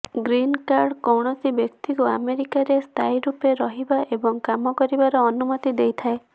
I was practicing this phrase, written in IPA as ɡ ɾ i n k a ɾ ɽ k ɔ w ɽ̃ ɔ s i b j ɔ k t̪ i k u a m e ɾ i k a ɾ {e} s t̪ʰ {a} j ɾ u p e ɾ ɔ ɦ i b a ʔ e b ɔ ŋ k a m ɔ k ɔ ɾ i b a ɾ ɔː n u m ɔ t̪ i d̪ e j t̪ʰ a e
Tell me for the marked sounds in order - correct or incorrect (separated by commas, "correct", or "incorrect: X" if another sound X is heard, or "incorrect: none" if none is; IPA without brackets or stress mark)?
correct, correct